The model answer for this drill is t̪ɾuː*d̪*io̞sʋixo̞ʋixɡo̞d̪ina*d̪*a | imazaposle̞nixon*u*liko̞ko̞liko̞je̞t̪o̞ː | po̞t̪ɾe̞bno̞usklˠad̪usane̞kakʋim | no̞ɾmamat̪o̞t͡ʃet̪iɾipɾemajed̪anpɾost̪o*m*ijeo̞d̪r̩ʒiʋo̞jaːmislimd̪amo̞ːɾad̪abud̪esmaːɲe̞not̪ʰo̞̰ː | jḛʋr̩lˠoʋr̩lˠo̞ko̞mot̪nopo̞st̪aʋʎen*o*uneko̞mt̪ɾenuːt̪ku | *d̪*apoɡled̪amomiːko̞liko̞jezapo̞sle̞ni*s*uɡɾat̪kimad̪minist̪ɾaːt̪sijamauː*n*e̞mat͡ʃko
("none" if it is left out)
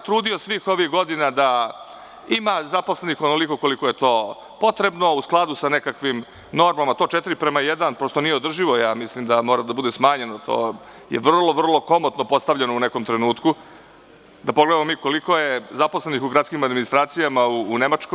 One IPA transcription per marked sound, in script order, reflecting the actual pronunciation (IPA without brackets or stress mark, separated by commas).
d̪, d̪, o, n, o, d̪, x, n